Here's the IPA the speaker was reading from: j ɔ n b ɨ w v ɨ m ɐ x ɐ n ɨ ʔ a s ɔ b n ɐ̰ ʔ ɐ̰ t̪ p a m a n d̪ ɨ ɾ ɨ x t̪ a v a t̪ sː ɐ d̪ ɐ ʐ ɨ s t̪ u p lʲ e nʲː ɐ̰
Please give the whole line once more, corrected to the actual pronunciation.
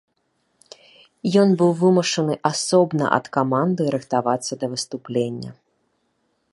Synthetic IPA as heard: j ɔ n b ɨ w v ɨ m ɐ ʂ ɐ n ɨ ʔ a s ɔ b n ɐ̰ ʔ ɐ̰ t̪ k a m a n d̪ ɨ ɾ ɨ x t̪ a v a t̪ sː ɐ d̪ ɐ v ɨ s t̪ u p lʲ e nʲː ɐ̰